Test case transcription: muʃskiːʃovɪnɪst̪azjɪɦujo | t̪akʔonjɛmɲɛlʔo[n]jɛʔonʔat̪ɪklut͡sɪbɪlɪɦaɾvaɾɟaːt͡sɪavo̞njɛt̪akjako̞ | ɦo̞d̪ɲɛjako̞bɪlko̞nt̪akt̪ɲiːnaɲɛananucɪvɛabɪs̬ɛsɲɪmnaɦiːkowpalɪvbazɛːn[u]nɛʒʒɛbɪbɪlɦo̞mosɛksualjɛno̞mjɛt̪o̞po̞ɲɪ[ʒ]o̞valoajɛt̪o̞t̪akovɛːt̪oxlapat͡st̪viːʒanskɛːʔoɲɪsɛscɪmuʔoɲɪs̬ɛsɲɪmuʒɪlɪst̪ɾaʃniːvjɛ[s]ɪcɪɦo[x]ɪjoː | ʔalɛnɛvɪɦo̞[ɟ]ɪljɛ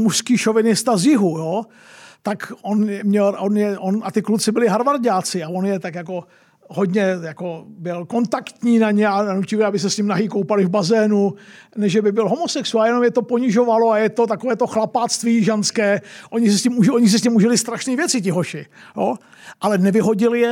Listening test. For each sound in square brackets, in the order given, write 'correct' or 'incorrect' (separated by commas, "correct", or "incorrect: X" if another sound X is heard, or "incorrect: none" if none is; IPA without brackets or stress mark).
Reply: correct, correct, correct, incorrect: t͡s, incorrect: ʃ, correct